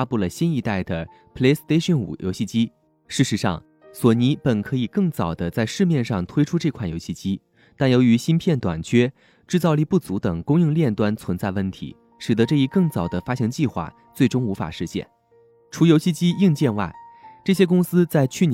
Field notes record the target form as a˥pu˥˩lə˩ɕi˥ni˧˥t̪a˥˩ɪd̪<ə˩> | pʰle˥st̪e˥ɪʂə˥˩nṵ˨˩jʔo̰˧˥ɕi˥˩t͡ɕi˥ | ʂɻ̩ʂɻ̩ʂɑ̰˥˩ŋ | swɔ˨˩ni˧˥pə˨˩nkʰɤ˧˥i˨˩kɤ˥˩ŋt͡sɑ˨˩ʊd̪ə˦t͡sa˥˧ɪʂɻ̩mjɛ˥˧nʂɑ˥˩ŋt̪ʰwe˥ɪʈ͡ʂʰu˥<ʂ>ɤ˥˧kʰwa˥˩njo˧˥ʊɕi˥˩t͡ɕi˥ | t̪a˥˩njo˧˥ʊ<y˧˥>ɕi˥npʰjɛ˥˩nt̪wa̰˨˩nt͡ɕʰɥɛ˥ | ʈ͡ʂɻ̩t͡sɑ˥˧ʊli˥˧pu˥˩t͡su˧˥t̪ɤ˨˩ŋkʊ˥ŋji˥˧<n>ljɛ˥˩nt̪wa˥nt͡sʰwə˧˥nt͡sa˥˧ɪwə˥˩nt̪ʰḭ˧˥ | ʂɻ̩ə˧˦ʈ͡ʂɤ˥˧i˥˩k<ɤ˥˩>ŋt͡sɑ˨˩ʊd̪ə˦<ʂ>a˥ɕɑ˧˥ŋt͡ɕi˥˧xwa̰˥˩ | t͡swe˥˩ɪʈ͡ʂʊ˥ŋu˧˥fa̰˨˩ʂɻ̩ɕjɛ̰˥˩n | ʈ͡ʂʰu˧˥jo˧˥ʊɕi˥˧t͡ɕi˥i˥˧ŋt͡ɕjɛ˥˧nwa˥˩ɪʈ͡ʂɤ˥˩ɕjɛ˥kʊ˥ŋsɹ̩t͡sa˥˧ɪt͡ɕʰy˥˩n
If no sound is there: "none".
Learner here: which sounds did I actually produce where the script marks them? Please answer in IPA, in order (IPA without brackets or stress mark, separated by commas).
ə˩, ʈ͡ʂ, y˧˥, ŋ, ɤ˥˩, f